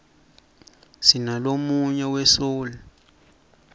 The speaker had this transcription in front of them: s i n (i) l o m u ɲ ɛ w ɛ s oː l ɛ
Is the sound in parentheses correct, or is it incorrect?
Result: incorrect